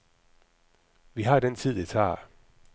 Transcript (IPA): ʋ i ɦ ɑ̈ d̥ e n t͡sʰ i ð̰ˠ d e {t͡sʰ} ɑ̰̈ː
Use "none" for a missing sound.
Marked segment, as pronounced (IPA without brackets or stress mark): t͡sʰ